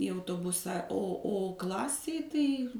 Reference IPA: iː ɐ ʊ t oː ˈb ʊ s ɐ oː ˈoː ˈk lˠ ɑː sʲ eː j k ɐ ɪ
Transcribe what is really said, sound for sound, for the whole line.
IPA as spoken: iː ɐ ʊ t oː ˈb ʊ s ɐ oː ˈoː ˈk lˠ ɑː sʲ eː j t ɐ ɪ